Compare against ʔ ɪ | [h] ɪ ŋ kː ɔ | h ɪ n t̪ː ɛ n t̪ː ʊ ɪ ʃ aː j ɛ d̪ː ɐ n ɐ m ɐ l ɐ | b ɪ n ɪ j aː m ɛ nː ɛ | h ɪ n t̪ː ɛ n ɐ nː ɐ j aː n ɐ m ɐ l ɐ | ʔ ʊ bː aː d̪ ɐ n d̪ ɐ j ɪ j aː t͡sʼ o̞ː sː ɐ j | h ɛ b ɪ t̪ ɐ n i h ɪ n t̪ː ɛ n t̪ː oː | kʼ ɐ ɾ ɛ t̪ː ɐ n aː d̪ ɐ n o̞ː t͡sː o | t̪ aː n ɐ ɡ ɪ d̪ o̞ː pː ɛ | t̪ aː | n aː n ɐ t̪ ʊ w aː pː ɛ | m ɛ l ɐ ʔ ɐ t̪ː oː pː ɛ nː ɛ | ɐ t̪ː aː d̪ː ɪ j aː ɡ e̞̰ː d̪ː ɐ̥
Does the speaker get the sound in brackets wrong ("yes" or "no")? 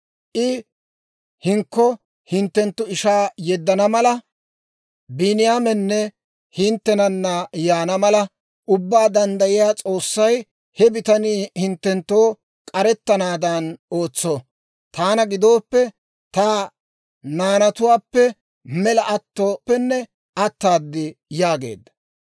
no